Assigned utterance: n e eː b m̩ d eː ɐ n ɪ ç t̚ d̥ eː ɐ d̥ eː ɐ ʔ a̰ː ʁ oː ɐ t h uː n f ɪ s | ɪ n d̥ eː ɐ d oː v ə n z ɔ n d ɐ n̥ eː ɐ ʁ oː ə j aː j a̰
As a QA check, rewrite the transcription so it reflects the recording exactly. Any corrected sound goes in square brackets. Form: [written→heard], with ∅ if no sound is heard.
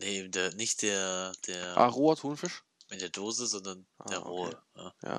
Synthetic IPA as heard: n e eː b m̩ d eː ɐ n ɪ ç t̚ d̥ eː ɐ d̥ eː ɐ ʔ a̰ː ʁ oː ɐ t h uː n f ɪ [s→ʃ] | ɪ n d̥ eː ɐ d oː [v→z] ə [n→∅] z ɔ n d ɐ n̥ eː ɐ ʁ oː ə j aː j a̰